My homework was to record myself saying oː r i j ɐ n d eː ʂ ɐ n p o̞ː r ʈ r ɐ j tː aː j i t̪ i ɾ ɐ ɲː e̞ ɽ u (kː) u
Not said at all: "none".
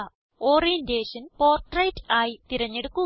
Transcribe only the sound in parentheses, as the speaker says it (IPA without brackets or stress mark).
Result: kː